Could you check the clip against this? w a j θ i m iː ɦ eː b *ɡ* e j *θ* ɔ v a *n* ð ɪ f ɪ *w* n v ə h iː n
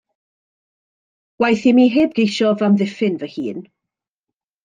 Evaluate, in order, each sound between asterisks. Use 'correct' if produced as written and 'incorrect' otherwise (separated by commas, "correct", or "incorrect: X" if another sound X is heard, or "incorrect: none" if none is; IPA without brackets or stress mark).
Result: correct, incorrect: ʃ, incorrect: m, incorrect: none